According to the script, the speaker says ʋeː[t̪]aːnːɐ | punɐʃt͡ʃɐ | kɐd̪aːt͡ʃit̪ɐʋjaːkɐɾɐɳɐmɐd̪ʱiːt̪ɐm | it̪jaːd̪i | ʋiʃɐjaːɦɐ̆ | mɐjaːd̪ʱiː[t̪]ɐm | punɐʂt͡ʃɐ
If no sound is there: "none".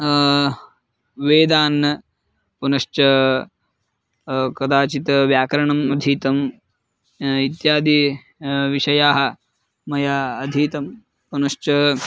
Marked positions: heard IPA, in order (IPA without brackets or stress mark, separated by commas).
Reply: d̪, t̪